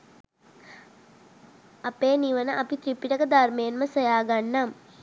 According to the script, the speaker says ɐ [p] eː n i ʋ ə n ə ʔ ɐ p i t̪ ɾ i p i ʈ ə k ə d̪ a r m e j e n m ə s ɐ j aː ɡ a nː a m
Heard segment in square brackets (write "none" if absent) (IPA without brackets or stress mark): p